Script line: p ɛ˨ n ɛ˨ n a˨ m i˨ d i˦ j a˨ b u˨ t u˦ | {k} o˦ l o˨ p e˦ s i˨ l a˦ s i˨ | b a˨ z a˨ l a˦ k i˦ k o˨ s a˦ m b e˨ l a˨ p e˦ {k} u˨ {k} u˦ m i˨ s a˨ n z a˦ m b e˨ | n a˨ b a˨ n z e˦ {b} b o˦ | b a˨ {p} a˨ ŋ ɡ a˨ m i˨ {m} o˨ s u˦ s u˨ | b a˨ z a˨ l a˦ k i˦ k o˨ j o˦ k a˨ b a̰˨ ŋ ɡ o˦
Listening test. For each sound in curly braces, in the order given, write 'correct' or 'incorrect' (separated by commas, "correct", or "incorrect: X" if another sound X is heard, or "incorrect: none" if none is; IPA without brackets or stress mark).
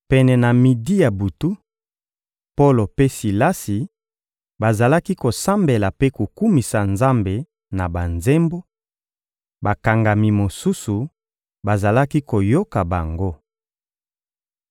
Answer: incorrect: p, correct, correct, incorrect: m, incorrect: k, correct